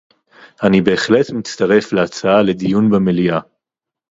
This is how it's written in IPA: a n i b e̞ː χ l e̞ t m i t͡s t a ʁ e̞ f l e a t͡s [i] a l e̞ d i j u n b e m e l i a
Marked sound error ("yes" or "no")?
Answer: yes